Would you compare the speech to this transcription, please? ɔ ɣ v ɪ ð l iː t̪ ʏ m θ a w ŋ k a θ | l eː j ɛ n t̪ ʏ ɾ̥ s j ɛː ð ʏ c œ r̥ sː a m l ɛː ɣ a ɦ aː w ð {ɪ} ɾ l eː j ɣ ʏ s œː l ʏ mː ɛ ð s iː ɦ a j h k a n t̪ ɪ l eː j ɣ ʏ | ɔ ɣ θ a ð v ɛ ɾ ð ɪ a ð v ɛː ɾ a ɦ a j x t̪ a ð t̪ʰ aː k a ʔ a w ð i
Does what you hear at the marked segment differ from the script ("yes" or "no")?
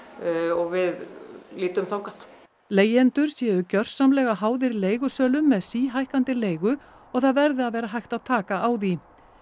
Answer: no